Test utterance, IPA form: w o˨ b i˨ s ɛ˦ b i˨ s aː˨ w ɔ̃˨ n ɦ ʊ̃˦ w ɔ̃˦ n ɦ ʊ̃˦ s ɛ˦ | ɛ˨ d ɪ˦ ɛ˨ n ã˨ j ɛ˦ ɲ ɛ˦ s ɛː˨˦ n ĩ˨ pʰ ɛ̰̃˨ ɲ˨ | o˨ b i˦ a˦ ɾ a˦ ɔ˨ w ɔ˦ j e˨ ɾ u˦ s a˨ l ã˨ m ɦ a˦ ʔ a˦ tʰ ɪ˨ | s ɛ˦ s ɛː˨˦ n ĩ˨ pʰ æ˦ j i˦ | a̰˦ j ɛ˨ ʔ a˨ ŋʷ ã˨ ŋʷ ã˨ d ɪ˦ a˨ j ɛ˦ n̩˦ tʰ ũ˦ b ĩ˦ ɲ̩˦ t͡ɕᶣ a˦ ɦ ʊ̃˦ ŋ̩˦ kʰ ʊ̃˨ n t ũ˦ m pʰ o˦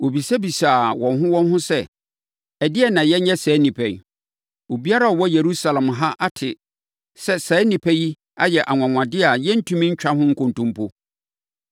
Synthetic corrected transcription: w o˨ b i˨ s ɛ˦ b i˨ s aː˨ w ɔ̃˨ n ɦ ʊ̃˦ w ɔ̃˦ n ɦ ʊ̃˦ s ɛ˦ | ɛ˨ d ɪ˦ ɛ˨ n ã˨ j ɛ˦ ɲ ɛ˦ s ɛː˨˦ n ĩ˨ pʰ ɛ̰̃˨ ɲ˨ | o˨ b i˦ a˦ ɾ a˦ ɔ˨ w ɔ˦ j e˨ ɾ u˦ s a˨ l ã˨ m ɦ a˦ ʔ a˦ tʰ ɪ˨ | s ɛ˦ s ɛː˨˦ n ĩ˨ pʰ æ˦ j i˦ | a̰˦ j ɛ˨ ʔ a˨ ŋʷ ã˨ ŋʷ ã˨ d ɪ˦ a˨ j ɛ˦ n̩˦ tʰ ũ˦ m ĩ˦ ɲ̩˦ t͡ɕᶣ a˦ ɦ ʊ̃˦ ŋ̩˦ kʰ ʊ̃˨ n t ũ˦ m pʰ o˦